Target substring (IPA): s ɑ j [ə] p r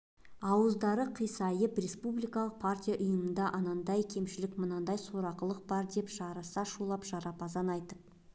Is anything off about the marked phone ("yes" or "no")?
no